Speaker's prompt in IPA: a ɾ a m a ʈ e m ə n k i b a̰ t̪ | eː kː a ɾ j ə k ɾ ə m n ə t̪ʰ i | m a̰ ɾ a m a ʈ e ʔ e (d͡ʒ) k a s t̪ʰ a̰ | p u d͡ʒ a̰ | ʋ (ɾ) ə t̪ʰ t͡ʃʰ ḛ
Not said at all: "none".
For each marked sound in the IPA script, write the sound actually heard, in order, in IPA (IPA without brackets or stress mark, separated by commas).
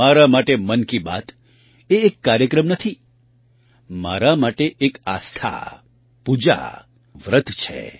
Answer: none, ɾ